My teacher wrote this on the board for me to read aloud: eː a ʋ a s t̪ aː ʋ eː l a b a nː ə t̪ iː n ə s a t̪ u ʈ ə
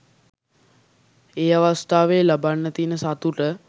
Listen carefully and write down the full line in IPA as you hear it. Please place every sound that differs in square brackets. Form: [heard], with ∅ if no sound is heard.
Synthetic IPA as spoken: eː a ʋ a s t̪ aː ʋ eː l a b a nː ə t̪ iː n ə s a t̪ u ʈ ə